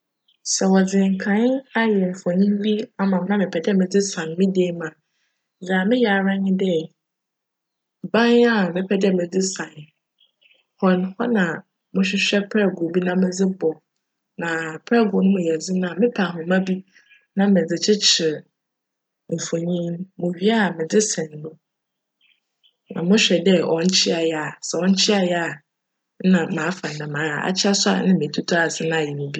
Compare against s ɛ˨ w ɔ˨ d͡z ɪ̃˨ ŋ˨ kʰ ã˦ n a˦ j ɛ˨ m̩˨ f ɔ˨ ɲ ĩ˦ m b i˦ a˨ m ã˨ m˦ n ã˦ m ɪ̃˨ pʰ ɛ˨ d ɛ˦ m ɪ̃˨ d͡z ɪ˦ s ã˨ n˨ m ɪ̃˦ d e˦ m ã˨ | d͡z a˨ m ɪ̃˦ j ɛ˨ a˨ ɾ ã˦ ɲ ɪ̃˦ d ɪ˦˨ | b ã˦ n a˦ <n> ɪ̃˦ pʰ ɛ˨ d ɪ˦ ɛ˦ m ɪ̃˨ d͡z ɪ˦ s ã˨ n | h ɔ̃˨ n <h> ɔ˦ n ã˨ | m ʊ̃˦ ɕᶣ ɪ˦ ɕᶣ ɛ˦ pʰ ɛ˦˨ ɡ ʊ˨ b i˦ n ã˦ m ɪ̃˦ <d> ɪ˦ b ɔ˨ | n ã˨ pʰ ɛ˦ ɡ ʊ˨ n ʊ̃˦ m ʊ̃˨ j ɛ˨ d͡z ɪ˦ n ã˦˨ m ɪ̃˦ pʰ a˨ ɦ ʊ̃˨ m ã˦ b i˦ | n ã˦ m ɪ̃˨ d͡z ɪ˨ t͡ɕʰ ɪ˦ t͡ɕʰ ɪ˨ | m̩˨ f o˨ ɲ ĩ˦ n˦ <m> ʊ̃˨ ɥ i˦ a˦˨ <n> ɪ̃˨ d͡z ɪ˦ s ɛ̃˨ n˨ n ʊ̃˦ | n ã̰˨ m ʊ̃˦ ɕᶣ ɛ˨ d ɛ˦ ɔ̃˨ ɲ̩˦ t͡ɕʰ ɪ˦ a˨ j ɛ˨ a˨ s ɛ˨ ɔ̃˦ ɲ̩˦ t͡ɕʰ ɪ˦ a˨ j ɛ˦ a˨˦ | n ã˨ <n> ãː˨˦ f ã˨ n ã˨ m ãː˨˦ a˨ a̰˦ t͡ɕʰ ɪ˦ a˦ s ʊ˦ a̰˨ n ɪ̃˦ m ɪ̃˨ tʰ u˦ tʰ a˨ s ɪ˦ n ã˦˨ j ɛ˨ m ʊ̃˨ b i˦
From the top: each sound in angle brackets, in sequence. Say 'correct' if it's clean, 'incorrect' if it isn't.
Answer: incorrect: m, correct, incorrect: d͡z, correct, incorrect: m, incorrect: m

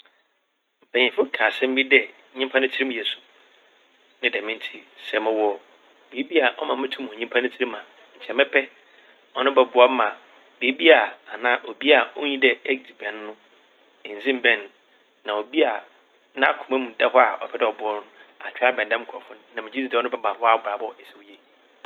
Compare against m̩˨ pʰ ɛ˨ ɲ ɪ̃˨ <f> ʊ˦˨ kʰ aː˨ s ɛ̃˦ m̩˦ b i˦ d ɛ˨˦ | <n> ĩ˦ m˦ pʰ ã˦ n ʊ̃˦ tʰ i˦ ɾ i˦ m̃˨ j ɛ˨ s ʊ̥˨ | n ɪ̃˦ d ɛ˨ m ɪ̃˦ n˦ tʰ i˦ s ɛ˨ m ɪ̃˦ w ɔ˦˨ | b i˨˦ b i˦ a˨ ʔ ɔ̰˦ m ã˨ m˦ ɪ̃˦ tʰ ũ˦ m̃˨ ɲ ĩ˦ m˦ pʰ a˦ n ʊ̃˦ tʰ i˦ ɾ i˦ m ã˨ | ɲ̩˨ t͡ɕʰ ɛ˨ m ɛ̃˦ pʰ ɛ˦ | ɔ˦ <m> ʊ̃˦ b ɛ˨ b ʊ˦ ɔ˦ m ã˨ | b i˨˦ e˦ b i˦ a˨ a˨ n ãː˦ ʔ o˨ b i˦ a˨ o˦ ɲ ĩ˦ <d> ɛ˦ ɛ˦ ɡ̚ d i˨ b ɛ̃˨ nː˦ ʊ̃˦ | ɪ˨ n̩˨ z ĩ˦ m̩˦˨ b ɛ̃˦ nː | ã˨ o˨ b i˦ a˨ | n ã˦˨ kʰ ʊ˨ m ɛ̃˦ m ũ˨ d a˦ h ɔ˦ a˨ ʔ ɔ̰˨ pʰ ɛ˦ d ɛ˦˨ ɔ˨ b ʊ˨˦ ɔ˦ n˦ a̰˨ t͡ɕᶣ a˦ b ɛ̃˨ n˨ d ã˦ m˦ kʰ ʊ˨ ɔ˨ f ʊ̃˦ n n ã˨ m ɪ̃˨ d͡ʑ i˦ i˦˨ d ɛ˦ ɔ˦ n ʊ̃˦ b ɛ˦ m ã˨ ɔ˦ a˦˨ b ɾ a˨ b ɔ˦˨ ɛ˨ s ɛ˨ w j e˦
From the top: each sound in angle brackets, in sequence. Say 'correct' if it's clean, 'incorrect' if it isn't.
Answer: correct, incorrect: ɲ, incorrect: n, correct

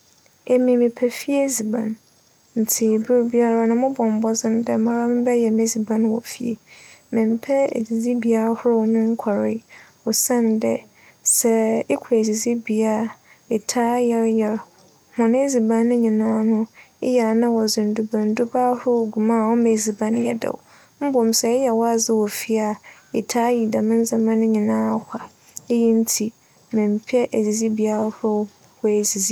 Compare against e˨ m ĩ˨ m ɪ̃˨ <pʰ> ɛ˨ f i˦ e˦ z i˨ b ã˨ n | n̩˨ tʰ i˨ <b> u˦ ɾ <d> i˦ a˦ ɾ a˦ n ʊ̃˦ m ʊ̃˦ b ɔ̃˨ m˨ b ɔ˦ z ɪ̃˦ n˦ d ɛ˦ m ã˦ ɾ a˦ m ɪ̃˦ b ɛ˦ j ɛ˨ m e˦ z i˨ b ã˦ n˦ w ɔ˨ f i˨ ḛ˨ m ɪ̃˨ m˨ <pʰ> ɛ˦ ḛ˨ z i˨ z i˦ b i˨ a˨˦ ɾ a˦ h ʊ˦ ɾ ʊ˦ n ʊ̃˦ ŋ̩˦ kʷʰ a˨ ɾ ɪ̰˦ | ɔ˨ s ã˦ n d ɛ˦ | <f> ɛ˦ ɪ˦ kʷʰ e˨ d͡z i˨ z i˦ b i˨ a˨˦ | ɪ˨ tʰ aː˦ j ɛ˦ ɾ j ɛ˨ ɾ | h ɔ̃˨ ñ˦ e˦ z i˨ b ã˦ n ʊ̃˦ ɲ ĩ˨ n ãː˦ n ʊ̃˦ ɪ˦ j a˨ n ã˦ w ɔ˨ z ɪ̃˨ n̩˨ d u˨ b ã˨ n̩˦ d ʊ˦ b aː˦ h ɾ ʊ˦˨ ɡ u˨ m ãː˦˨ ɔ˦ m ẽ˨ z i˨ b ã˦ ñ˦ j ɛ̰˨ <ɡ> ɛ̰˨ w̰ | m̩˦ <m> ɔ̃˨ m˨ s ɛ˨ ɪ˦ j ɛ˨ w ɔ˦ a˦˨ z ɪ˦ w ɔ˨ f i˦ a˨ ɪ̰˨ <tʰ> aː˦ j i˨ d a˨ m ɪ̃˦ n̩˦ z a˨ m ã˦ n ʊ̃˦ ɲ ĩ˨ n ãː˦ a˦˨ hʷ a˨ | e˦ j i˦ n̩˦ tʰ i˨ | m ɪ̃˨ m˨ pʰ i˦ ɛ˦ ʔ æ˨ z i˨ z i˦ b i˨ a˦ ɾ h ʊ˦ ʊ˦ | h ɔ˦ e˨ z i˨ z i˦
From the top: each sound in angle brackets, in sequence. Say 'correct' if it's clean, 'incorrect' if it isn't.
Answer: correct, correct, incorrect: b, correct, incorrect: s, incorrect: d, incorrect: b, correct

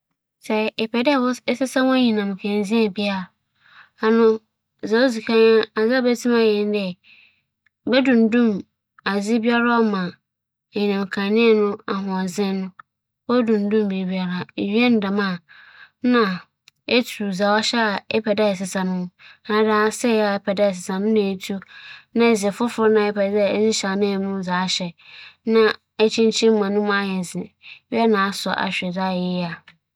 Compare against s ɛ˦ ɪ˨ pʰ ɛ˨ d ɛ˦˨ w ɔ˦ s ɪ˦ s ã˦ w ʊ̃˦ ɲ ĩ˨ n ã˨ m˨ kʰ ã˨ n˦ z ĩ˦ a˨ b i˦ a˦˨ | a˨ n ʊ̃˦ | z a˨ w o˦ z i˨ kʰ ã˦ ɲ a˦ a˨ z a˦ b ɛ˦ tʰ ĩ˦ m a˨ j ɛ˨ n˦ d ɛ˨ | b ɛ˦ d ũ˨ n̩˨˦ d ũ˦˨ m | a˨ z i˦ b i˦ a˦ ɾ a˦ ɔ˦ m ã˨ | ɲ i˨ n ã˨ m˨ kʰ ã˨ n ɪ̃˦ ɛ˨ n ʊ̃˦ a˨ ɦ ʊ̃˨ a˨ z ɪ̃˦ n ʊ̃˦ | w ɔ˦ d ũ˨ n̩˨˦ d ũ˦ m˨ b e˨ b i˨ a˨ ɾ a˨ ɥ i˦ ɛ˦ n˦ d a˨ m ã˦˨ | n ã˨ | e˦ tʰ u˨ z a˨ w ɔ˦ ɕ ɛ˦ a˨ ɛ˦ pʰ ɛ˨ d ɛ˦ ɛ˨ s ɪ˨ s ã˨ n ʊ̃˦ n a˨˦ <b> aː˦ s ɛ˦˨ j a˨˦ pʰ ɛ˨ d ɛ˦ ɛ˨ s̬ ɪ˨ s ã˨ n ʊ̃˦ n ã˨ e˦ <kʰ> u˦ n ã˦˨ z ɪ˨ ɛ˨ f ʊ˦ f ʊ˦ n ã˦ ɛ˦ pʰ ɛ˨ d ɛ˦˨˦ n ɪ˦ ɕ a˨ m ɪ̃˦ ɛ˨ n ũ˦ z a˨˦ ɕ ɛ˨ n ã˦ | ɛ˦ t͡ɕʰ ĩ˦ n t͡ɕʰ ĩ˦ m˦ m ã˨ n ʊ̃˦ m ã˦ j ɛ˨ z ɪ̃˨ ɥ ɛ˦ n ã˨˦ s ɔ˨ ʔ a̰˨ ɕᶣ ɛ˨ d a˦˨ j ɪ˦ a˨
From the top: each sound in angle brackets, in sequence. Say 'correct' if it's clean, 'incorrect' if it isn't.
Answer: incorrect: d, incorrect: tʰ

